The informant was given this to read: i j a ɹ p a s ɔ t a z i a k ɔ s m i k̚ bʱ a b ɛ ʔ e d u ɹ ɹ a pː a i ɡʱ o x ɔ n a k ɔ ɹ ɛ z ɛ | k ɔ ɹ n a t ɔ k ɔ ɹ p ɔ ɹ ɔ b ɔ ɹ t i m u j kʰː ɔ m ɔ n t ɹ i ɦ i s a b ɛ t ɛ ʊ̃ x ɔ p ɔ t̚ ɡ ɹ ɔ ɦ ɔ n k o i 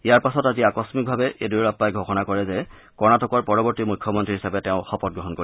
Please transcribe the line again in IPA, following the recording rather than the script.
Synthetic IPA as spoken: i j a ɹ p a s ɔ t a z i a k ɔ s m i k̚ bʱ a b ɛ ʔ e d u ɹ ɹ a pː a j ɡʱ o x ɔ n a k ɔ ɹ ɛ z ɛ | k ɔ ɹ n a t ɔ k ɔ ɹ p ɔ ɹ ɔ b ɔ ɹ t i m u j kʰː ɔ m ɔ n t ɹ i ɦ i s a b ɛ t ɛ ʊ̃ x ɔ p ɔ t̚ ɡ ɹ ɔ ɦ ɔ n k o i